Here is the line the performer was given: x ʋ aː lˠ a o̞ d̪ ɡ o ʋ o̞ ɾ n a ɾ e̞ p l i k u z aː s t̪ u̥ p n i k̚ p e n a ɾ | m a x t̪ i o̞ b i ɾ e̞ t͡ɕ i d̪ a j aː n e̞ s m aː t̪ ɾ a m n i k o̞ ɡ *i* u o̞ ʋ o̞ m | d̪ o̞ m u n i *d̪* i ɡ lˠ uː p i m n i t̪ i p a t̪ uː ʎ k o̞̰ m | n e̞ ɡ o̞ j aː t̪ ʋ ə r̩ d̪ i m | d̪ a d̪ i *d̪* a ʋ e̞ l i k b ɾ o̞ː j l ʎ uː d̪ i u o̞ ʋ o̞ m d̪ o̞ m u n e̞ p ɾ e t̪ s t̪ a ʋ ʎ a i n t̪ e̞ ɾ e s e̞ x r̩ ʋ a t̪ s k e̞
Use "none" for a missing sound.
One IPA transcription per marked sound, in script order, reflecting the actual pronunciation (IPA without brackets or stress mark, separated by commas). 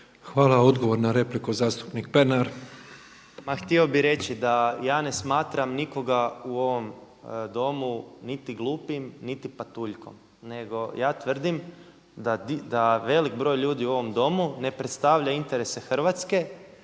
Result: a, t̪, d̪